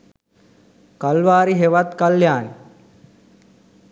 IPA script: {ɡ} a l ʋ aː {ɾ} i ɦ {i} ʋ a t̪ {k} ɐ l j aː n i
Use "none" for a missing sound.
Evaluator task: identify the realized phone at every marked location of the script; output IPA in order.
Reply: k, ɾ, e, k

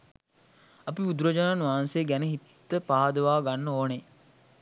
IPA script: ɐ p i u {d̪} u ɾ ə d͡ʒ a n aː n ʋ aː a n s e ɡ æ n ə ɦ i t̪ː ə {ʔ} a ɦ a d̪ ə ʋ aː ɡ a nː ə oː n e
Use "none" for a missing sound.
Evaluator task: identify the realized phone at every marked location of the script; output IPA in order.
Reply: d̪, p

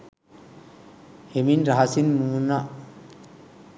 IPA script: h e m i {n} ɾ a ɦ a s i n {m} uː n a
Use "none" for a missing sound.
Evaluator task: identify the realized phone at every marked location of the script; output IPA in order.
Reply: n, m

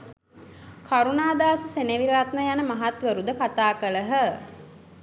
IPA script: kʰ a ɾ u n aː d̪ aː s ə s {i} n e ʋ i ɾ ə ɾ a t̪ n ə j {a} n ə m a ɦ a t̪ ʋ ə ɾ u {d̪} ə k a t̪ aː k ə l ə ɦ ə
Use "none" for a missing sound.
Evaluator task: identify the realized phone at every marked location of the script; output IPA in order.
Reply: e, a, d̪

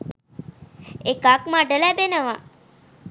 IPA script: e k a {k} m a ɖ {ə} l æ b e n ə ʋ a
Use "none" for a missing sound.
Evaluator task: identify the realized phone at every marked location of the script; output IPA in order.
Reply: k, ə

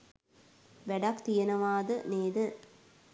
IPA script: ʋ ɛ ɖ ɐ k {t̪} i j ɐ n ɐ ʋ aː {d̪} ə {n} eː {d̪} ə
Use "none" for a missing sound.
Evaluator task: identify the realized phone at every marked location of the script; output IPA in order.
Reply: t̪, d̪, n, d̪

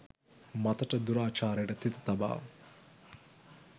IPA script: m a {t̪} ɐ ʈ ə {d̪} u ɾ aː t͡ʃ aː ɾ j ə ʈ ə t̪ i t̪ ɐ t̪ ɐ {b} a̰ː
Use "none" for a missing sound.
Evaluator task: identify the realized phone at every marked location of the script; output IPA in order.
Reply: t̪, d̪, b

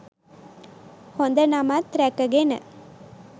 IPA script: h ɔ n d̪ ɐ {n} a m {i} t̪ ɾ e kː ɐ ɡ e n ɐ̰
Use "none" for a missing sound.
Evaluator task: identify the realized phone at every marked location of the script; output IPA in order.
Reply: n, a

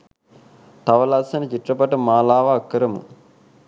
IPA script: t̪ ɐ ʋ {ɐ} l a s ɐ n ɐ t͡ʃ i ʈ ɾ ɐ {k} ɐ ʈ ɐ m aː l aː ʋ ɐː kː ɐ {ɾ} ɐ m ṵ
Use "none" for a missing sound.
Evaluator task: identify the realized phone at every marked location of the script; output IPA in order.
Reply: ɐ, p, ɾ

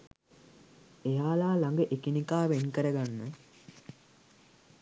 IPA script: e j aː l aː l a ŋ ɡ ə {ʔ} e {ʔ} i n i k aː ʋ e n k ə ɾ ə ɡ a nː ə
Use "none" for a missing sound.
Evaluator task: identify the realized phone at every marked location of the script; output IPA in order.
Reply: ʔ, k

